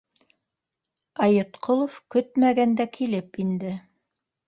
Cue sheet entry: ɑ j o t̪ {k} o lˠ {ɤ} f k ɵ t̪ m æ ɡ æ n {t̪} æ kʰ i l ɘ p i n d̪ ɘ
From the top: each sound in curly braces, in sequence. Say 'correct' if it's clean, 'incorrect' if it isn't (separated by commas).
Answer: incorrect, incorrect, incorrect